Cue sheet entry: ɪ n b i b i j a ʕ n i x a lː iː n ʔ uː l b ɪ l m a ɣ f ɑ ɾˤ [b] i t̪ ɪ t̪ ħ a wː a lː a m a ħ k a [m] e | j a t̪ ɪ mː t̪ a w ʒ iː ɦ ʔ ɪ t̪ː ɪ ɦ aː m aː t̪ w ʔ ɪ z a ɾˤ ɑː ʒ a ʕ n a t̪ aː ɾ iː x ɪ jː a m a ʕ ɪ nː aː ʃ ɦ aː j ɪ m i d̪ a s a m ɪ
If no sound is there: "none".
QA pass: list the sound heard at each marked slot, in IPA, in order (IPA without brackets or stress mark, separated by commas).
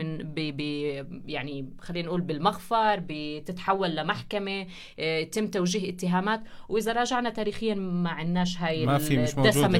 b, m